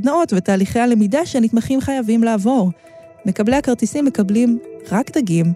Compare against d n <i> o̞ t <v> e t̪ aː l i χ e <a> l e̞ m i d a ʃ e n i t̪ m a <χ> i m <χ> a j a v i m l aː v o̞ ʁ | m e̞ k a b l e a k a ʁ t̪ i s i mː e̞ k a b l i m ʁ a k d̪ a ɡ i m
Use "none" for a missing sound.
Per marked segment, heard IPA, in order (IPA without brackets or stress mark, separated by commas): a, v, a, χ, χ